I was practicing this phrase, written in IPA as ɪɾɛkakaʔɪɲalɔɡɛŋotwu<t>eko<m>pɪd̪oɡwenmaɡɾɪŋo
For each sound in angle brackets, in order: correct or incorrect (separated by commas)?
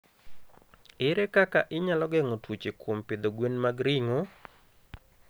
incorrect, correct